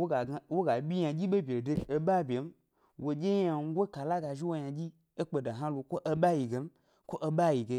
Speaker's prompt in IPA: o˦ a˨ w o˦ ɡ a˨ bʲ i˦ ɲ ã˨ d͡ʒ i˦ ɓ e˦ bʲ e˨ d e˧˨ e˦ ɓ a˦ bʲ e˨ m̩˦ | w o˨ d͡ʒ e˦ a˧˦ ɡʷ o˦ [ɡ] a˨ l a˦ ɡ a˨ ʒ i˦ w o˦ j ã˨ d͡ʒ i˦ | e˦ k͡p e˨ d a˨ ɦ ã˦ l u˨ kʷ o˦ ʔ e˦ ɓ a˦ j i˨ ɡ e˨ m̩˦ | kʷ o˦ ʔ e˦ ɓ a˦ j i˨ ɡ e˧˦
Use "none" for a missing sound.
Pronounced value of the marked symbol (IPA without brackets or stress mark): k